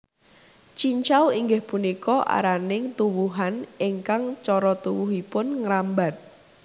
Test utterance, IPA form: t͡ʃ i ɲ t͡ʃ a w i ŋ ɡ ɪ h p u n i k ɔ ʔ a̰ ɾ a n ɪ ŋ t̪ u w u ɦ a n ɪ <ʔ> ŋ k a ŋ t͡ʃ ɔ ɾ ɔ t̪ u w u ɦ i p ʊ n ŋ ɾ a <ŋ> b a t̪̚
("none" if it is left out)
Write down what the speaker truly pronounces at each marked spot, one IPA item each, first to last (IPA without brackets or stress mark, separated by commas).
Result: none, m